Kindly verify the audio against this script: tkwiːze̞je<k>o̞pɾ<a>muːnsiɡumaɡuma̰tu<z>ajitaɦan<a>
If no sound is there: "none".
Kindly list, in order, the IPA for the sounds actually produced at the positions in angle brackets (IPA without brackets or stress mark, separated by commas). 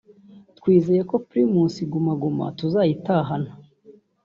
k, i, z, a